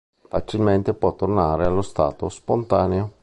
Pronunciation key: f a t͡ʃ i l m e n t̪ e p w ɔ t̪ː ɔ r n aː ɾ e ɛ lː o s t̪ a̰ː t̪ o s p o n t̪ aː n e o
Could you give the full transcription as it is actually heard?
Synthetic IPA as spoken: f a t͡ʃ i l m e n t̪ e p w ɔ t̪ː o r n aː ɾ e a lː o s t̪ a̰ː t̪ o s p o n t̪ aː n e o

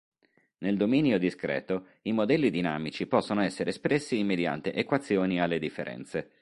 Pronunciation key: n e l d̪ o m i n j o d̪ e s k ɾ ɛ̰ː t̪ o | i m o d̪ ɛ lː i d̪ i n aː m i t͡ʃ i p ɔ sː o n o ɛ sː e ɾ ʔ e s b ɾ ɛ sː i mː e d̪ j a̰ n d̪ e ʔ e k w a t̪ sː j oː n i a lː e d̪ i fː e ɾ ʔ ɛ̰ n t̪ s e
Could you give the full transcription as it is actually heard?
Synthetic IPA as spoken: n e l d̪ o m i n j o d̪ i s k ɾ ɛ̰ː t̪ o | i m o d̪ ɛ lː i d̪ i n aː m i t͡ʃ i p ɔ sː o n o ɛ sː e ɾ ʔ e s p ɾ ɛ sː i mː e d̪ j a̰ n t̪ e ʔ e k w a t̪ sː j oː n i a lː e d̪ i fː e ɾ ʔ ɛ̰ n t̪ s e

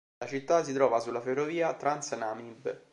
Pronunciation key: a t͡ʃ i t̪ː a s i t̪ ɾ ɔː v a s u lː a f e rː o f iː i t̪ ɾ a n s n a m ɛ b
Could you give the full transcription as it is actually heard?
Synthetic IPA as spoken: a t͡ʃ i t̪ː a s i t̪ ɾ ɔː v a s u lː a f e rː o v iː a t̪ ɾ a n s n a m i b

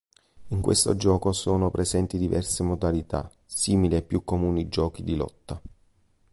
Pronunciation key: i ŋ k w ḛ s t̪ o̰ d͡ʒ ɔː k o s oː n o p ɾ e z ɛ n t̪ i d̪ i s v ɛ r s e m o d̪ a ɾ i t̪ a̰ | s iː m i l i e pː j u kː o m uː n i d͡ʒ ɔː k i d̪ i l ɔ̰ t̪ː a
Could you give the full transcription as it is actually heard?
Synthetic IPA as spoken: i ŋ k w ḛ s t̪ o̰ d͡ʒ ɔː k o s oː n o p ɾ e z ɛ n t̪ i d̪ i v ɛ r s e m o d̪ a l i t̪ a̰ | s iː m i l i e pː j u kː o m uː n i d͡ʒ ɔː k i d̪ i l ɔ̰ t̪ː a

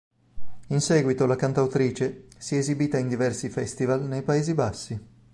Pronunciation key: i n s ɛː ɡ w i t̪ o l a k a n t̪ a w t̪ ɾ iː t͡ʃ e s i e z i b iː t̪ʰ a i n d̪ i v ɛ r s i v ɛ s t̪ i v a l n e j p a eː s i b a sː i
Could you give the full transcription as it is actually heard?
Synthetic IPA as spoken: i n s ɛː ɡ w i t̪ o l a k a n t̪ a w t̪ ɾ iː t͡ʃ e s i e z i b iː t̪ a i n d̪ i v ɛ r s i f ɛ s t̪ i v a l n e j p a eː z i b a sː i

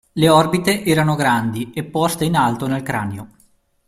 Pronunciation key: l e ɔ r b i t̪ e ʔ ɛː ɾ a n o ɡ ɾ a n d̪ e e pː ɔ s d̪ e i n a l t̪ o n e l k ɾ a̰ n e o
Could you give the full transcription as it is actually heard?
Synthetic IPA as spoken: l e ɔ r b i t̪ e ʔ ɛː ɾ a n o ɡ ɾ a n d̪ i e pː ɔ s t̪ e i n a l t̪ o n e l k ɾ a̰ n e o

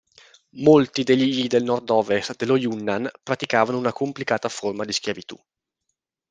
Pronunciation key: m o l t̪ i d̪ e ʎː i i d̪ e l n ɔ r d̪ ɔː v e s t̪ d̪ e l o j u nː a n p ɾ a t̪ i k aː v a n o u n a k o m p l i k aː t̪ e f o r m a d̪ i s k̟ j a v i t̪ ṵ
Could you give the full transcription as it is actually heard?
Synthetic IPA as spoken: m o l t̪ i d̪ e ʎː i i d̪ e l n ɔ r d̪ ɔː v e s t̪ d̪ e l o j u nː a n p ɾ a t̪ i k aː v a n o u n a k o m p l i k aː t̪ a f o r m a d̪ i s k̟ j a v i t̪ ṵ

